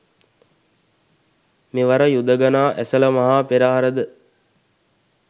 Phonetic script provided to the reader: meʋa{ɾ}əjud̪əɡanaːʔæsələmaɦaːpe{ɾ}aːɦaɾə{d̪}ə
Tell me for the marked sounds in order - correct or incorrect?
correct, correct, correct

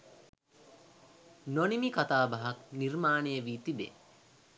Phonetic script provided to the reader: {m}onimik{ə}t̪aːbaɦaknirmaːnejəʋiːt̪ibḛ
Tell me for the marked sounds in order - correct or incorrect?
incorrect: n, incorrect: a

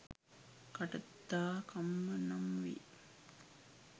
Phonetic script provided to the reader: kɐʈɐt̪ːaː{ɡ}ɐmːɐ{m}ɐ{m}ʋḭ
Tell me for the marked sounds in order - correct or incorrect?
incorrect: k, incorrect: n, correct

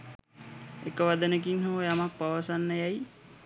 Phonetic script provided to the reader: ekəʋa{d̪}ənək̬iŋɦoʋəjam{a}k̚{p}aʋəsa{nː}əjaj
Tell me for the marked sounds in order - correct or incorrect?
correct, correct, correct, correct

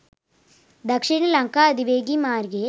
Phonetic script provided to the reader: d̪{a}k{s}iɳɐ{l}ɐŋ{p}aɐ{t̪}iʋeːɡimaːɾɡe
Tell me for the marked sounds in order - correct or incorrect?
incorrect: ɐ, incorrect: ʂ, correct, incorrect: k, incorrect: d̪

